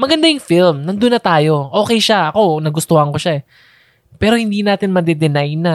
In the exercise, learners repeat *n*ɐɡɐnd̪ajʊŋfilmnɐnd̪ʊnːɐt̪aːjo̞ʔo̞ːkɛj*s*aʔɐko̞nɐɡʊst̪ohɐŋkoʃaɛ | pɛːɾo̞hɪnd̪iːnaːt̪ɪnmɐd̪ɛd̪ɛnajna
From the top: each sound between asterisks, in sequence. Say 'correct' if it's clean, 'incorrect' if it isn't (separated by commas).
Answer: incorrect, incorrect